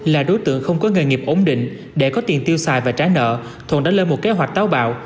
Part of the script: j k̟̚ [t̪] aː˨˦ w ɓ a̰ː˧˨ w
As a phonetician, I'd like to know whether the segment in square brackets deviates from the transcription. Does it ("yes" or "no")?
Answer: no